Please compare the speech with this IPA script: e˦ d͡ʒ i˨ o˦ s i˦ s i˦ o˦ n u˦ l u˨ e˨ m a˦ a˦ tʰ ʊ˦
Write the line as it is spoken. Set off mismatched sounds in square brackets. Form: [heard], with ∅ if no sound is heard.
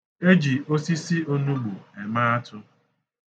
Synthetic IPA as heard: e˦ d͡ʒ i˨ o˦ s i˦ s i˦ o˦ n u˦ l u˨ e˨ m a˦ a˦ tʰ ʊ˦